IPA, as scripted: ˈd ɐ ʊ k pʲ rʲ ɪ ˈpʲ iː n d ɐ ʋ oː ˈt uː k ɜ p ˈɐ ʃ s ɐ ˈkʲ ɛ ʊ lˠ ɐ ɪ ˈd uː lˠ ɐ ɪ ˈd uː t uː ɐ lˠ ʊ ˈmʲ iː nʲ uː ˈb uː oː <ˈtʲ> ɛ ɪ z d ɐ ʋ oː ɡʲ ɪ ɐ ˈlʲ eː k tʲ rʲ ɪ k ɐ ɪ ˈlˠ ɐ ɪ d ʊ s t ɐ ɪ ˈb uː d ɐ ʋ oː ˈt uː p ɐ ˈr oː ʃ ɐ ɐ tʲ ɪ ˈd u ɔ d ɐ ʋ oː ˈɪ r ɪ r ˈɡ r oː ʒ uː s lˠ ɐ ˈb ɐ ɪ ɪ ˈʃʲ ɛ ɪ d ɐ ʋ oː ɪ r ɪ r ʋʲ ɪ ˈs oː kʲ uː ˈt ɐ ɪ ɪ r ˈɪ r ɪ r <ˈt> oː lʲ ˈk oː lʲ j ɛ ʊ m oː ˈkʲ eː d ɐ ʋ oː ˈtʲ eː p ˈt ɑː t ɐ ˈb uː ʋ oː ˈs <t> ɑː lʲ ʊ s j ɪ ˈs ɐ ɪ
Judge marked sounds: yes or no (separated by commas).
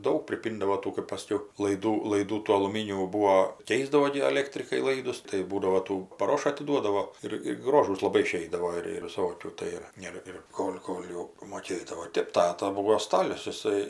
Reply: no, no, yes